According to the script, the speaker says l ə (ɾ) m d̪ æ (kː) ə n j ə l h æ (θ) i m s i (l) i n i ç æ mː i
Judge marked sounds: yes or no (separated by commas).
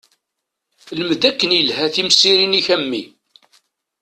no, yes, yes, no